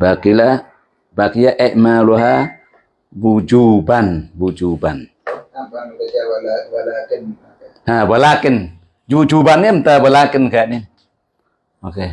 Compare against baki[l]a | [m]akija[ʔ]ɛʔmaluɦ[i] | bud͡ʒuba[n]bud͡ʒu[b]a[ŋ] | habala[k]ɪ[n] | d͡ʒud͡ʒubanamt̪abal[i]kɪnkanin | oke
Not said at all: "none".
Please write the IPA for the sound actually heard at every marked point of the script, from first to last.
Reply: l, b, ʔ, a, n, b, n, k, n, a

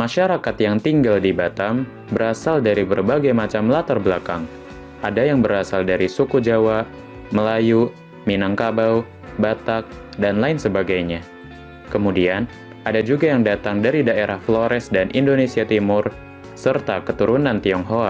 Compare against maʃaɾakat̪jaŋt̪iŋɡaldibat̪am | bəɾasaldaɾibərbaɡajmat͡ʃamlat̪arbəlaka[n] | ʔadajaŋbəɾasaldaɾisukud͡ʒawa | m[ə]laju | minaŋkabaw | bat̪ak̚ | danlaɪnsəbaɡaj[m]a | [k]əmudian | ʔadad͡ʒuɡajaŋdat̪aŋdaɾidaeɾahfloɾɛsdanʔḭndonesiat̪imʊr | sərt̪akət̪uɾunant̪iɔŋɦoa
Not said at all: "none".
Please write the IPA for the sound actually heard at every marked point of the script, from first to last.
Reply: ŋ, ə, ɲ, k

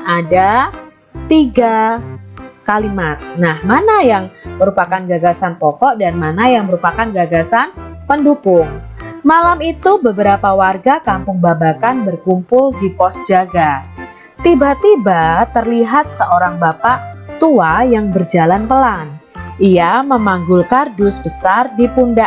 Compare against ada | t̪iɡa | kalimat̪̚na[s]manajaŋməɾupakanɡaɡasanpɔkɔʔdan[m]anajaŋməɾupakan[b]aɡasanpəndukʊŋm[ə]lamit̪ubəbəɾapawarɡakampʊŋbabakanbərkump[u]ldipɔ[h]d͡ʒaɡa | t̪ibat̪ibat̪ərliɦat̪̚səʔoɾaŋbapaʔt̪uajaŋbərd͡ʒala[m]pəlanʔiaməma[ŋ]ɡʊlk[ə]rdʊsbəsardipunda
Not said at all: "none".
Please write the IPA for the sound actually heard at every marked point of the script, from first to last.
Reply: h, m, ɡ, a, ʊ, s, n, ŋ, a

